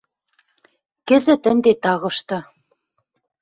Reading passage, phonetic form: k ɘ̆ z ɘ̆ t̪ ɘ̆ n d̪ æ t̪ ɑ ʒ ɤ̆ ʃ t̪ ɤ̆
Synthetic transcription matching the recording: k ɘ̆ z ɘ̆ t̪ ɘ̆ n d̪ e t̪ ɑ ɣ ɤ̆ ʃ t̪ ɤ̆